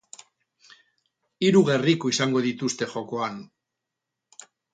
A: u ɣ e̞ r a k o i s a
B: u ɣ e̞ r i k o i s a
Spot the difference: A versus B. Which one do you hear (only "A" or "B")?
B